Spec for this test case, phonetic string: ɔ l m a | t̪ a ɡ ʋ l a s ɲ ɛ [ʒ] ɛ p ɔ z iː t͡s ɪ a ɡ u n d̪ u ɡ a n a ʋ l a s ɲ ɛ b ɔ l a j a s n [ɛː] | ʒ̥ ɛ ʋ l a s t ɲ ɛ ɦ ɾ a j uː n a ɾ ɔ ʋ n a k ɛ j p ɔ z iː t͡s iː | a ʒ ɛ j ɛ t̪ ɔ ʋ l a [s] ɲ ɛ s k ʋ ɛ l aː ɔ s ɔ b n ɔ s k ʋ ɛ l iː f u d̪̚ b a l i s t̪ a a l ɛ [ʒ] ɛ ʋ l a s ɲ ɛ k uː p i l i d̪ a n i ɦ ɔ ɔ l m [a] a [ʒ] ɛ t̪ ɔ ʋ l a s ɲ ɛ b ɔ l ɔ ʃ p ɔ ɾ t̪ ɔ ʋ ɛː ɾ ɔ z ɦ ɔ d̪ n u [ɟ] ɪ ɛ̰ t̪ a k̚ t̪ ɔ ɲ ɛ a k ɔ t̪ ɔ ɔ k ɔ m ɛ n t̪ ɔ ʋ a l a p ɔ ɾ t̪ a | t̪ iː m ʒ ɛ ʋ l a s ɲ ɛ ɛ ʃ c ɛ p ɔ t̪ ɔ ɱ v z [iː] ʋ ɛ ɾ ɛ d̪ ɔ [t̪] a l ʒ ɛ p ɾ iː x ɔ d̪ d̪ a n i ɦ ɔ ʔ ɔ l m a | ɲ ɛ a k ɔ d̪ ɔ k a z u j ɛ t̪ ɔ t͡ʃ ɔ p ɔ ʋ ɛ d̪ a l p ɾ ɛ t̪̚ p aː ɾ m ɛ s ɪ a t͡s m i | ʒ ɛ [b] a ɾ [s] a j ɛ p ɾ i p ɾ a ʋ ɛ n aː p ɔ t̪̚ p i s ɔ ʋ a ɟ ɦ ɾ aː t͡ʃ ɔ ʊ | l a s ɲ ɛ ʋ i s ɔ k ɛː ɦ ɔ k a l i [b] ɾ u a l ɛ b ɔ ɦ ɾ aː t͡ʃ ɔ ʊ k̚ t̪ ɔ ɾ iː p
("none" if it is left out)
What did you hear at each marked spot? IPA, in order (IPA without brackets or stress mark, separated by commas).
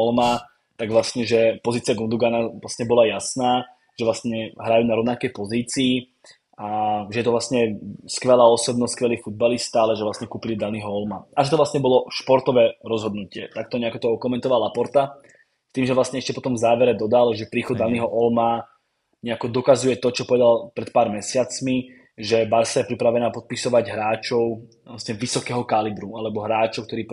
ʒ, aː, s, ʒ, a, ʒ, c, aː, d̪, b, s, b